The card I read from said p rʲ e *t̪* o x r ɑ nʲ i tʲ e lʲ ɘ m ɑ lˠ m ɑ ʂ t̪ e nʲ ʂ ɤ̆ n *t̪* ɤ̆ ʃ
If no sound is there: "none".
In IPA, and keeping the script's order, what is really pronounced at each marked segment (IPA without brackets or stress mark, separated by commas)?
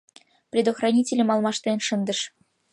d̪, d̪